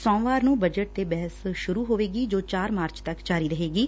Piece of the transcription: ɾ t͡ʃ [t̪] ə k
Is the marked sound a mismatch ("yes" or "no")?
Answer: no